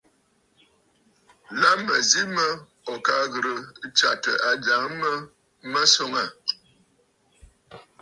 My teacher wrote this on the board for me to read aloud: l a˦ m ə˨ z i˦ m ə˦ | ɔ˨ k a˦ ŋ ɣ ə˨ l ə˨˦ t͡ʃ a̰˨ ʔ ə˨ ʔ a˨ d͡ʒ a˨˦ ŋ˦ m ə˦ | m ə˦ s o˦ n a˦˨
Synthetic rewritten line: l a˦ m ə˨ z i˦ m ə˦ | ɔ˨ k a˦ ɣ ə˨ ɾ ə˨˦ t͡ʃ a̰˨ t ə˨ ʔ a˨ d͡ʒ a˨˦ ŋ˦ m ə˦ | m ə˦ s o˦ ŋ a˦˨